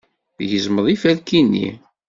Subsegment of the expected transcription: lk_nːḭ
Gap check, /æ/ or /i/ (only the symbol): i